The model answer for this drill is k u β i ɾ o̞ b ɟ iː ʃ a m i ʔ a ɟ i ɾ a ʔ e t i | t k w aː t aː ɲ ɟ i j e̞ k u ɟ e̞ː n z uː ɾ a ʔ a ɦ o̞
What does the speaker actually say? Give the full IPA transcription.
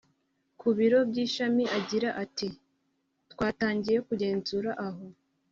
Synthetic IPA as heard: k u β i ɾ o̞ b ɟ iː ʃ a m i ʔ a ɟ i ɾ a ʔ a t i | t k w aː t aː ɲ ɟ i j e̞ k u ɟ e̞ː n z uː ɾ a ʔ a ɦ o̞